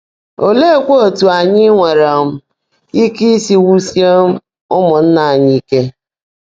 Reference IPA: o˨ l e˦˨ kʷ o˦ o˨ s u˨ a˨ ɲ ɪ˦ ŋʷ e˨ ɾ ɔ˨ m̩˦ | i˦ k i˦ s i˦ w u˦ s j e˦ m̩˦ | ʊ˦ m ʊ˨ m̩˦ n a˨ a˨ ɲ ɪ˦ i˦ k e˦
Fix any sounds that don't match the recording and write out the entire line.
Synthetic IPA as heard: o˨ l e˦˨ kʷ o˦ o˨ t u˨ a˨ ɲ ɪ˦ ŋʷ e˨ ɾ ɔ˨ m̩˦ | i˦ k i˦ s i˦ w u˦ s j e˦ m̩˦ | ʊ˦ m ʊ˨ n̩˦ n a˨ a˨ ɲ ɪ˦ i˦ k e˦